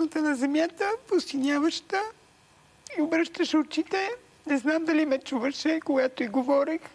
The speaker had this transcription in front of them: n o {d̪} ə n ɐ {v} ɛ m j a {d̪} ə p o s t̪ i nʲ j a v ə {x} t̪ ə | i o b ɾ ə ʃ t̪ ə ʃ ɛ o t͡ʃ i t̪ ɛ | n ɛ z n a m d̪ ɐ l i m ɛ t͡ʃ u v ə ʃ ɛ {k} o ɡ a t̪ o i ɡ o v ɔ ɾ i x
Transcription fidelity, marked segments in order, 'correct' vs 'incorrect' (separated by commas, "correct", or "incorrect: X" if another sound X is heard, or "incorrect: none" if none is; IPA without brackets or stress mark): incorrect: t̪, incorrect: z, incorrect: t̪, incorrect: ʃ, correct